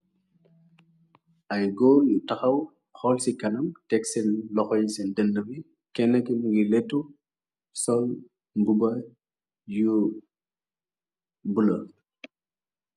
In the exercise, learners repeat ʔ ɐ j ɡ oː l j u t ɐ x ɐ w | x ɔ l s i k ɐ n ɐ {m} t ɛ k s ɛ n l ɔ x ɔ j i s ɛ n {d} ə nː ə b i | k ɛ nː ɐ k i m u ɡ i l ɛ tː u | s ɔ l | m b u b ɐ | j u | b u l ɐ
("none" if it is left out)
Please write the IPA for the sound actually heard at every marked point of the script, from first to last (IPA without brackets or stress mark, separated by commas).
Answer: m, d